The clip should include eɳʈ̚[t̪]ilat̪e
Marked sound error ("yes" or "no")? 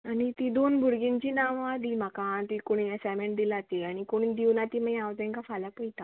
yes